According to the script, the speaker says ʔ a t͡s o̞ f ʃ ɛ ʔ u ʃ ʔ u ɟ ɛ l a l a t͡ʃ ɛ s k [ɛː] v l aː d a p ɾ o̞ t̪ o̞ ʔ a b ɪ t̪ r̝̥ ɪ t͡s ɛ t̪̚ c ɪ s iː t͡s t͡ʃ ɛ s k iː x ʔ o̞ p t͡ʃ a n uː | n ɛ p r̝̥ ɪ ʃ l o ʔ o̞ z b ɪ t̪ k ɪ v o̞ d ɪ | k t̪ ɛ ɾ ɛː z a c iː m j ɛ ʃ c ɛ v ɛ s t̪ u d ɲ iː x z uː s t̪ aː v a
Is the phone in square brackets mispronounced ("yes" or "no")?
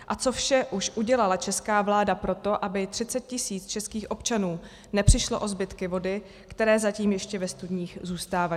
yes